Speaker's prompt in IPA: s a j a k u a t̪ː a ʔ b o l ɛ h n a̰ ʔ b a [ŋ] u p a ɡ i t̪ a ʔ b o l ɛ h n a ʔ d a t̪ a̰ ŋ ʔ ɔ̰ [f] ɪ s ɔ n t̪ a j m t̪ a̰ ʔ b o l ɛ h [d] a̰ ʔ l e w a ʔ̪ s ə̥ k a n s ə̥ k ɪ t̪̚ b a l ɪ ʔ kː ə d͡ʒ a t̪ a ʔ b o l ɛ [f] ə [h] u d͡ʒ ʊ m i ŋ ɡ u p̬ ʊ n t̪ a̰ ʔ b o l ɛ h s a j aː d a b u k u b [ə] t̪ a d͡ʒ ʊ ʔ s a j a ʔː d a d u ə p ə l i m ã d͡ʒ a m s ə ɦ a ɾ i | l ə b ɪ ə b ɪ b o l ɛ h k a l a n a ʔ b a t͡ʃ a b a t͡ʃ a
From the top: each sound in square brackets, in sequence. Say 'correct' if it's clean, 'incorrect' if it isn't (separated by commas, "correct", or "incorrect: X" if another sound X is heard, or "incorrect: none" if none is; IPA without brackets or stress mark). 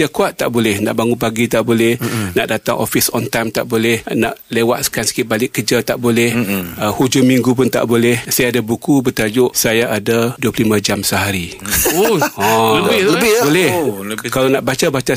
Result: correct, correct, incorrect: n, incorrect: h, correct, correct